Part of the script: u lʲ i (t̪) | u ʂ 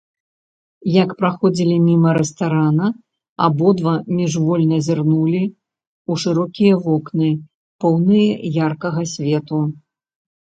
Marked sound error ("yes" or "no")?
yes